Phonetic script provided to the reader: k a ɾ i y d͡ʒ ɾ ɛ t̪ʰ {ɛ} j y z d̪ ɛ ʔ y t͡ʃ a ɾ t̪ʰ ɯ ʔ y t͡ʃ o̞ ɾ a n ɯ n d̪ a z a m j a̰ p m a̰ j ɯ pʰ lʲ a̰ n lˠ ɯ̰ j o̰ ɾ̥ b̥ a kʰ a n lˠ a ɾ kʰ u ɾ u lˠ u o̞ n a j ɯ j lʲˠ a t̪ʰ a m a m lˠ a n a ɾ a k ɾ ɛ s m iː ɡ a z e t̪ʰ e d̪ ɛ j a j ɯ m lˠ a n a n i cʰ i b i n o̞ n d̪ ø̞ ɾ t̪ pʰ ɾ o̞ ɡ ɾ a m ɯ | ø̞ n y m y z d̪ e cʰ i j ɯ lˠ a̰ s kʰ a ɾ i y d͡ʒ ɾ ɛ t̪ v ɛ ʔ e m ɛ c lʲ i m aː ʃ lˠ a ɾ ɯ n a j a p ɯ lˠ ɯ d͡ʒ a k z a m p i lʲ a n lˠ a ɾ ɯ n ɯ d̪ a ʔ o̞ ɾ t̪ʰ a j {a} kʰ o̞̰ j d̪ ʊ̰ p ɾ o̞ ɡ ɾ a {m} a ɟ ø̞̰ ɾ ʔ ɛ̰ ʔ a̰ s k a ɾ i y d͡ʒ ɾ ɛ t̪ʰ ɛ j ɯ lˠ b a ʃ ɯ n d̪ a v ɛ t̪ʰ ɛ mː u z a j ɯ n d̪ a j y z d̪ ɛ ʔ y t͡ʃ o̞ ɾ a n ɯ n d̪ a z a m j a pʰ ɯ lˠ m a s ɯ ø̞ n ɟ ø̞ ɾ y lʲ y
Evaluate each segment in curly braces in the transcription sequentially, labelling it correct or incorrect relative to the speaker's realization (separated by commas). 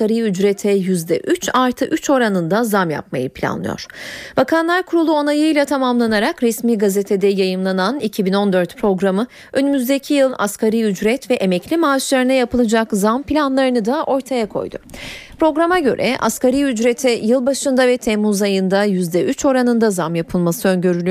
correct, correct, correct